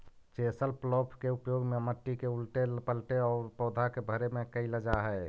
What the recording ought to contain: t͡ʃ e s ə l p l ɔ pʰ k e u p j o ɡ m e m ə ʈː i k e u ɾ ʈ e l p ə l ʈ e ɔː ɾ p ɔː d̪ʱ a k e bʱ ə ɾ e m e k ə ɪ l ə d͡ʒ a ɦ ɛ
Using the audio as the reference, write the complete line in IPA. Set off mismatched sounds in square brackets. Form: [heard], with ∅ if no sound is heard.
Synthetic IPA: t͡ʃ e s ə l p l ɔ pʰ k e u p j o ɡ m e m ə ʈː i k e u [l] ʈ e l p ə l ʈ e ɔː ɾ p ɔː d̪ʱ a k e bʱ ə ɾ e m e k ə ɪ l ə d͡ʒ a ɦ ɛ